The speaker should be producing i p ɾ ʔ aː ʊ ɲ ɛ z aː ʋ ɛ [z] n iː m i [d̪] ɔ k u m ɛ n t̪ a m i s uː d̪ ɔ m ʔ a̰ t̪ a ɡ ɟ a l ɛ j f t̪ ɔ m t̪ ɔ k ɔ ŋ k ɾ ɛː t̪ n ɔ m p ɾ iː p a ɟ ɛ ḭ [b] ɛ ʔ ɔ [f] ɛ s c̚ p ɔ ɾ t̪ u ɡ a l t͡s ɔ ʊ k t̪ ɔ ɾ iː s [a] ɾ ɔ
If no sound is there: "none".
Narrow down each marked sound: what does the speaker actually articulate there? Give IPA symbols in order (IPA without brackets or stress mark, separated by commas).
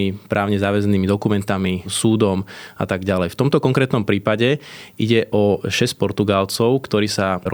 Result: z, d̪, ɟ, ʃ, a